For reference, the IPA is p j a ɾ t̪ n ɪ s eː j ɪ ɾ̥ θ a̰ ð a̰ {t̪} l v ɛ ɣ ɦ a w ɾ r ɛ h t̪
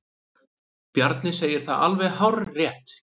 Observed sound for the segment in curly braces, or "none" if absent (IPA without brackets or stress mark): none